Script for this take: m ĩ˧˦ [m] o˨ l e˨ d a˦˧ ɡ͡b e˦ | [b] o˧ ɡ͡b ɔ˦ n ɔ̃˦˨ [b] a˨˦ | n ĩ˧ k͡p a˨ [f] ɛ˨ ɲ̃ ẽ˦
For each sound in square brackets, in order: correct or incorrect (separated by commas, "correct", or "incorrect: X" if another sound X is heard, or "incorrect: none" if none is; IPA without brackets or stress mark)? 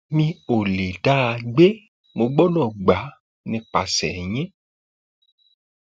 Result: incorrect: none, incorrect: m, incorrect: ɡ͡b, incorrect: s